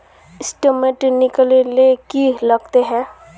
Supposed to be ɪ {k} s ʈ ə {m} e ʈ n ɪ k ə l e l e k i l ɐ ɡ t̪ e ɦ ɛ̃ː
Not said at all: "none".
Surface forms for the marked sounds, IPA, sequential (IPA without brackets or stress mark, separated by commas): none, m